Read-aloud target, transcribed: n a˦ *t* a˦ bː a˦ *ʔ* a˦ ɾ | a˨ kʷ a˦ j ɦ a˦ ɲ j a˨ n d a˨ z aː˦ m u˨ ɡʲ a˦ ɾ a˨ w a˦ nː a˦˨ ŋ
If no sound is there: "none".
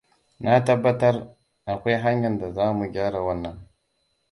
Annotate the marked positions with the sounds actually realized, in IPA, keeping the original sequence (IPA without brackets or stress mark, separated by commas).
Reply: t, t